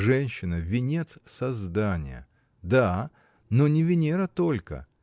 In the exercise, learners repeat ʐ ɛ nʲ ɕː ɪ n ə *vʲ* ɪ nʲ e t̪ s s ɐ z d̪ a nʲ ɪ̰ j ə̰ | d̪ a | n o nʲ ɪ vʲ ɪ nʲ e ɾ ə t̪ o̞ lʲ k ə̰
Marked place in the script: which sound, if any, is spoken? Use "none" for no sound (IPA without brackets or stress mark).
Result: vʲ